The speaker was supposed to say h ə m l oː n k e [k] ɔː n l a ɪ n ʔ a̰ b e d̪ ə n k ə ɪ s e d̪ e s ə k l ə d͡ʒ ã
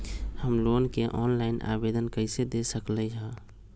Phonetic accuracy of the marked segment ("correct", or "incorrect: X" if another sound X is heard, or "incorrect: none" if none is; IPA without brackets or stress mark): incorrect: ʔ